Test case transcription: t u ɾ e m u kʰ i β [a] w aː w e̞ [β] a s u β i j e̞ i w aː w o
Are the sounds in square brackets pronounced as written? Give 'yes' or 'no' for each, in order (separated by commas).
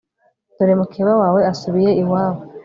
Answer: yes, no